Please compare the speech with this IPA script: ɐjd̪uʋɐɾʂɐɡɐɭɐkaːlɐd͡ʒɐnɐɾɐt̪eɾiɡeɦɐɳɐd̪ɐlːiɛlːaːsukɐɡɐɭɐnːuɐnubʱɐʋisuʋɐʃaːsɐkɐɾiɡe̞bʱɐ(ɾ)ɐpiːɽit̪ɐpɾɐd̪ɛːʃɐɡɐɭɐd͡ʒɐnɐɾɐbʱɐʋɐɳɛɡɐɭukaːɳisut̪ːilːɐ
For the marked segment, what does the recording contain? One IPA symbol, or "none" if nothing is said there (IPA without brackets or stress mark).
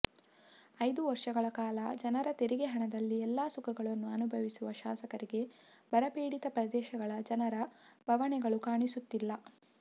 ɾ